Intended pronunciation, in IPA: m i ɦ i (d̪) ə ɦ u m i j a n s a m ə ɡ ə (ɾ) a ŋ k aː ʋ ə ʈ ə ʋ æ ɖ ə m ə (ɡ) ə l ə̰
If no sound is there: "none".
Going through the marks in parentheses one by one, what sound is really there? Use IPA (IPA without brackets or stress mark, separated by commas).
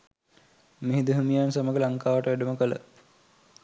d̪, l, k